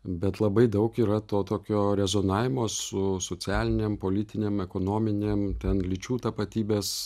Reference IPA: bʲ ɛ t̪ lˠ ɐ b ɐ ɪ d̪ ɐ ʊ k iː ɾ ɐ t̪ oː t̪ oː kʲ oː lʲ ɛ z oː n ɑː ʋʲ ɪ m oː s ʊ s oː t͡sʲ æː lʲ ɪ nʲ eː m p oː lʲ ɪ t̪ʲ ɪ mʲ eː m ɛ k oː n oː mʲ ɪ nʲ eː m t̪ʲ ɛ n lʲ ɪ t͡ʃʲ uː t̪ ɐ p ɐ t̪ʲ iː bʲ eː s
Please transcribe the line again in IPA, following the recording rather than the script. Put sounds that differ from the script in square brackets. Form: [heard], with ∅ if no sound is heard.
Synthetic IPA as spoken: bʲ ɛ t̪ lˠ ɐ b ɐ ɪ d̪ ɐ ʊ k iː ɾ ɐ t̪ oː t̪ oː kʲ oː [ɾʲ] ɛ z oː n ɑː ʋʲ ɪ m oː s ʊ s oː t͡sʲ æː lʲ ɪ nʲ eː m p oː lʲ ɪ t̪ʲ ɪ [nʲ] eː m ɛ k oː n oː mʲ ɪ nʲ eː m t̪ʲ ɛ n lʲ ɪ t͡ʃʲ uː t̪ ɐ p ɐ t̪ʲ iː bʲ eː s